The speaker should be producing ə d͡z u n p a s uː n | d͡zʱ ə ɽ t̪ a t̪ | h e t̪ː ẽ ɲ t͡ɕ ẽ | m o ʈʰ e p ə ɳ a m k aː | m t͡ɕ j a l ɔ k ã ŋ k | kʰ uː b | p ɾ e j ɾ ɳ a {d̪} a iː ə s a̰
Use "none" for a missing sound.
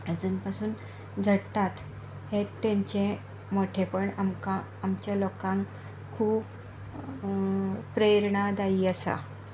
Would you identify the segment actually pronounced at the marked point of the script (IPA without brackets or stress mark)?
d̪